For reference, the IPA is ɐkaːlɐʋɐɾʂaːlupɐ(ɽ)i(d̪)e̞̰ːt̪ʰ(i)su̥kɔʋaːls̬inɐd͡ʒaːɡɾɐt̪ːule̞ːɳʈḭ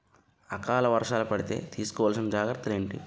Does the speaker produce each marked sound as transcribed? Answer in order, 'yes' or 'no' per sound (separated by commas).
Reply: yes, no, no